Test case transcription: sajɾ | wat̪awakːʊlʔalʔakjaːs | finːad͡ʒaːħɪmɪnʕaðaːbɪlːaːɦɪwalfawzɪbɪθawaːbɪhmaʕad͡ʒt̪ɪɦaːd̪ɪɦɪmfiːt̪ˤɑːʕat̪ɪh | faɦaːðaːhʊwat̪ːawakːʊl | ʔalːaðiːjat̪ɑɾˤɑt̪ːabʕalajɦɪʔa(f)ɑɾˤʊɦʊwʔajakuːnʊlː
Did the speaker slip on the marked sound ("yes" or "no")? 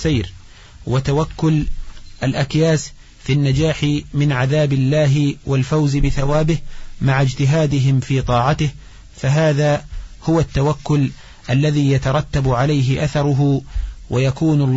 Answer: yes